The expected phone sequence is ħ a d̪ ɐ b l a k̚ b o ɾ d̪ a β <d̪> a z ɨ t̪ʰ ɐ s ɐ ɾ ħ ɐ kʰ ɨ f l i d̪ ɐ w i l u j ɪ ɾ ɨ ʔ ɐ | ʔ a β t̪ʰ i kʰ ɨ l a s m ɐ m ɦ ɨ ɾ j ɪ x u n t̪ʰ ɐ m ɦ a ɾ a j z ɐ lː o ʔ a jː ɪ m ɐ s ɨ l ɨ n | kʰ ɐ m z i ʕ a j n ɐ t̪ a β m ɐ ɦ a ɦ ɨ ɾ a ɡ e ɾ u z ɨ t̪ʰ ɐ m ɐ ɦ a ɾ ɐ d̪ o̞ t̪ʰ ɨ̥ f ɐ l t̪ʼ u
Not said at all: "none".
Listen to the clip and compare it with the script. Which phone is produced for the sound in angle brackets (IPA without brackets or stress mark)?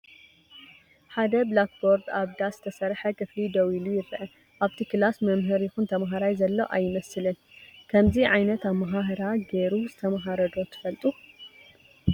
d̪